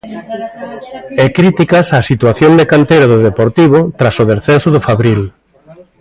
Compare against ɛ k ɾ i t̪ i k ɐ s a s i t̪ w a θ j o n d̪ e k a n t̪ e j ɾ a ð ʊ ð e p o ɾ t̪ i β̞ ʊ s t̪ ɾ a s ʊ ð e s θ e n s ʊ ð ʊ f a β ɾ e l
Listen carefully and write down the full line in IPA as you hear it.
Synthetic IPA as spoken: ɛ k ɾ i t̪ i k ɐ s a s i t̪ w a θ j o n d̪ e k a n t̪ e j ɾ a ð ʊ ð e p o ɾ t̪ i β̞ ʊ t̪ ɾ a s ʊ ð e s θ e n s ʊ ð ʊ f a β ɾ i l